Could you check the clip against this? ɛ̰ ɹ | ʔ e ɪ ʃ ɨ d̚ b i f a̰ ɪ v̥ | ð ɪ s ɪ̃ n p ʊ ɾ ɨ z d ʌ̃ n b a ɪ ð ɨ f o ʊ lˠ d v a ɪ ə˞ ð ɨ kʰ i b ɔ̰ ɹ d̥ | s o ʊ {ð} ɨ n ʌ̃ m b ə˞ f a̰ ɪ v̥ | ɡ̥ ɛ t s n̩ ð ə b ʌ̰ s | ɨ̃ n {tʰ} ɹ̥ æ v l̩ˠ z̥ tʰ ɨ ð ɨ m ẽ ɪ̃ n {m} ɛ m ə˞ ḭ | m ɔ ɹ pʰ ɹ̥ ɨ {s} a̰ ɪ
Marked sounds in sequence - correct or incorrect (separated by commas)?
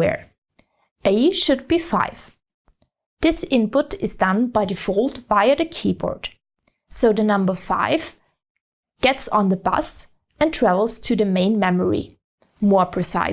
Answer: correct, correct, correct, correct